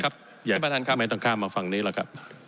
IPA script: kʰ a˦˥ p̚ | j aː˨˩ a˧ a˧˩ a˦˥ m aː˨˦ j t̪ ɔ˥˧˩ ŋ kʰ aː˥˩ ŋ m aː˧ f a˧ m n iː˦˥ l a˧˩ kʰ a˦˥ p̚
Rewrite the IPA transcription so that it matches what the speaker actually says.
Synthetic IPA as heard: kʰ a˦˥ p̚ | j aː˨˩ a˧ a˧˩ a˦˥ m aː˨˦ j t̪ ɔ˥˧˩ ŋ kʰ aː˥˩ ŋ m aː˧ f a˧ ŋ n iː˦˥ l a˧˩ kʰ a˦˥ p̚